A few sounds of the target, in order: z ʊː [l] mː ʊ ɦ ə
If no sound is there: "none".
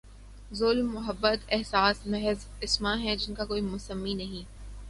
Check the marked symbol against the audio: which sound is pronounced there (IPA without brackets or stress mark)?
l